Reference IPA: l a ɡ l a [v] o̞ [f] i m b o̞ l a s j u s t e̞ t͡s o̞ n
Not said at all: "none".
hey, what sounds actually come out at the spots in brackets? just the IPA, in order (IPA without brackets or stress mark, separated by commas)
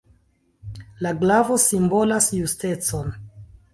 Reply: v, s